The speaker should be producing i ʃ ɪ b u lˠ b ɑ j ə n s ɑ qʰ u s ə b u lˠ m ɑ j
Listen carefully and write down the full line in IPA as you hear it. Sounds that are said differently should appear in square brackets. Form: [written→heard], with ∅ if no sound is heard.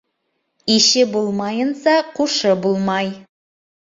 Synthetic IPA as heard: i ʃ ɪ b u lˠ [b→m] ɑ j ə n s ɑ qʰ u [s→ʃ] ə b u lˠ m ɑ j

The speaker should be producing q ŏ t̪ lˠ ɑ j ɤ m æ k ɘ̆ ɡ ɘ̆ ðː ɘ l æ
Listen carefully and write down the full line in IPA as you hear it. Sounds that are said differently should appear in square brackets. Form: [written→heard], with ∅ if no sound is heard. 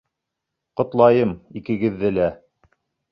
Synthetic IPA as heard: q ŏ t̪ lˠ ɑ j ɤ m [æ→i] k ɘ̆ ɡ ɘ̆ ðː ɘ l æ

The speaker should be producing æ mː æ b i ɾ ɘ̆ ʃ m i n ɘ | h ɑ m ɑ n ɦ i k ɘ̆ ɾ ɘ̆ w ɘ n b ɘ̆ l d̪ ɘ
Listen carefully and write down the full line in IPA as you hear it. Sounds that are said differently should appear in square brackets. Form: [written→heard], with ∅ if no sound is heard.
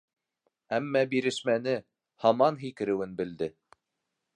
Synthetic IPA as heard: æ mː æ b i ɾ ɘ̆ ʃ m [i→æ] n ɘ | h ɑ m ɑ n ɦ i k ɘ̆ ɾ ɘ̆ w ɘ n b ɘ̆ l d̪ ɘ

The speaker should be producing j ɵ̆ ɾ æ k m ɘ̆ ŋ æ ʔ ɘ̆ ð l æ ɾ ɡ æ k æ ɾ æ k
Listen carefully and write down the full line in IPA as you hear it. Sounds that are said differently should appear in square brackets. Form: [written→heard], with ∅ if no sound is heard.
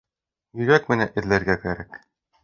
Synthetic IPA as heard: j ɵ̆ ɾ æ k m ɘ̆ [ŋ→n] æ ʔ ɘ̆ ð l æ ɾ ɡ æ k æ ɾ æ k

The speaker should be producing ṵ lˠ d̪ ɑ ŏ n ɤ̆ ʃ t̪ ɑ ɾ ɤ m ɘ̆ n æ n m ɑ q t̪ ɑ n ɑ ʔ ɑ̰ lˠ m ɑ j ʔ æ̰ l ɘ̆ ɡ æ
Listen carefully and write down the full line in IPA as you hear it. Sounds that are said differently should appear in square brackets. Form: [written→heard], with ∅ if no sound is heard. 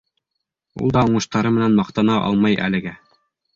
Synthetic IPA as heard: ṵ lˠ d̪ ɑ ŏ [n→ɴ] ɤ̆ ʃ t̪ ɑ ɾ ɤ m ɘ̆ n æ n m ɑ q t̪ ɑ n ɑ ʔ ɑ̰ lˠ m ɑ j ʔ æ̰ l ɘ̆ ɡ æ

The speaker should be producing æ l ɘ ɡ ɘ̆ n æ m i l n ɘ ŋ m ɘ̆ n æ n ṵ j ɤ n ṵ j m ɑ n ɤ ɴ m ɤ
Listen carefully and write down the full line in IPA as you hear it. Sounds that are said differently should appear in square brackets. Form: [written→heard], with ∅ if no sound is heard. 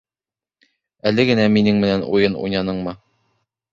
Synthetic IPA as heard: æ l ɘ ɡ ɘ̆ n æ m i [l→∅] n ɘ ŋ m ɘ̆ n æ n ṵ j ɤ n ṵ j [m→n] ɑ n ɤ ɴ m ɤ

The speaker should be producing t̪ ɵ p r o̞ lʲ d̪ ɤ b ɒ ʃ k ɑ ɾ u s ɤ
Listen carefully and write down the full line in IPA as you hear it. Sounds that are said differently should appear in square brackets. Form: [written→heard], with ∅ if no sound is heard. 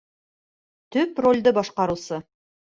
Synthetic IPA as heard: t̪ ɵ p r o̞ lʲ d̪ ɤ b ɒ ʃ [k→q] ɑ ɾ u s ɤ

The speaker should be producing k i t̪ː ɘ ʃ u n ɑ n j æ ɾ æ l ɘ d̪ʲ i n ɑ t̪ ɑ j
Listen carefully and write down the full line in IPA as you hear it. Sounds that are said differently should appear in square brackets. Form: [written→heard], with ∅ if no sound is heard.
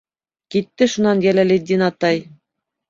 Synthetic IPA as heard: k i t̪ː ɘ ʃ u n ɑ n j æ [ɾ→l] æ l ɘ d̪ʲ i n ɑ t̪ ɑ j

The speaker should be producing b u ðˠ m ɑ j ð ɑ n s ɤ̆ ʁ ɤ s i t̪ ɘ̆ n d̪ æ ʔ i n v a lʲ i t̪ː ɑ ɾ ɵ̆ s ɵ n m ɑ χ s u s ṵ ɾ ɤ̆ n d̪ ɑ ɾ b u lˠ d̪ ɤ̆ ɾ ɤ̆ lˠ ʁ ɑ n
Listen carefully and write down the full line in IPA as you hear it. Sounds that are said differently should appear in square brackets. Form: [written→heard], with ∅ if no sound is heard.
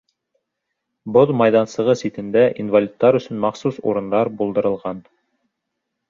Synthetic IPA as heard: b [u→o] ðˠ m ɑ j ð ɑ n s ɤ̆ ʁ ɤ s i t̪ ɘ̆ n d̪ æ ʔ i n v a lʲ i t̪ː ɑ ɾ ɵ̆ s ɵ n m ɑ χ s u s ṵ ɾ ɤ̆ n d̪ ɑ ɾ b u lˠ d̪ ɤ̆ ɾ ɤ̆ lˠ ʁ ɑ n

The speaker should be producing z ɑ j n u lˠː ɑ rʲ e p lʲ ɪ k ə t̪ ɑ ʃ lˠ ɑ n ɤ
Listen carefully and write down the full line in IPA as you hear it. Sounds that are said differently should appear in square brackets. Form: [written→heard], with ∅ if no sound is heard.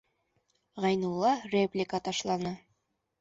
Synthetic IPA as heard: [z→ʁ] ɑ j n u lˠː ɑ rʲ e p lʲ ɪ k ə t̪ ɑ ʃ lˠ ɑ n ɤ

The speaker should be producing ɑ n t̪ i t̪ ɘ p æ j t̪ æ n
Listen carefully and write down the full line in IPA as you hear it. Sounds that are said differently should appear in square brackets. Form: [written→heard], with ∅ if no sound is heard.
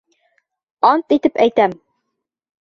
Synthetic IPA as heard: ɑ n t̪ i t̪ ɘ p æ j t̪ æ [n→m]

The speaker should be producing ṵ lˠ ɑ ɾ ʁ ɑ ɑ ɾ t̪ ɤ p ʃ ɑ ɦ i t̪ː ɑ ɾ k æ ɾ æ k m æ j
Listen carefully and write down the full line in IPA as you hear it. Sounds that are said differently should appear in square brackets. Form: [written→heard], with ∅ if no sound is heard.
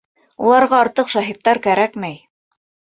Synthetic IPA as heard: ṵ lˠ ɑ ɾ ʁ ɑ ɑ ɾ t̪ ɤ [p→q] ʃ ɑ ɦ i t̪ː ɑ ɾ k æ ɾ æ k m æ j

